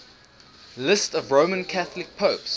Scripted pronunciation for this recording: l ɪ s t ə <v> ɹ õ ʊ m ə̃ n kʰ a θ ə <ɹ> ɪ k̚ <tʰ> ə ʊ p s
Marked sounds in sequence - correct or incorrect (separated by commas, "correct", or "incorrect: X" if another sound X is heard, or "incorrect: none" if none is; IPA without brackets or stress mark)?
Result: correct, incorrect: l, incorrect: pʰ